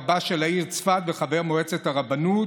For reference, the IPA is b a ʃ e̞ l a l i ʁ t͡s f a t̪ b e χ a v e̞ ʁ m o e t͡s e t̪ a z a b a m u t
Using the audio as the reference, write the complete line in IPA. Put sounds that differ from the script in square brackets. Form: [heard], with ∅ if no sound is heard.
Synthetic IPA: b a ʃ e̞ l a [∅] i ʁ t͡s f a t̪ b e χ a v e̞ ʁ m o e t͡s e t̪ a [ʁ] a b a [n] u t